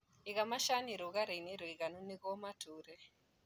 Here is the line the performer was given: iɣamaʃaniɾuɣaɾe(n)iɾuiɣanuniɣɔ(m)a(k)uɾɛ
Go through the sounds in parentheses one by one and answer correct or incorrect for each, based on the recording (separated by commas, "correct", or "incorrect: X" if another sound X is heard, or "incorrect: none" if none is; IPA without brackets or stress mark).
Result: correct, correct, incorrect: t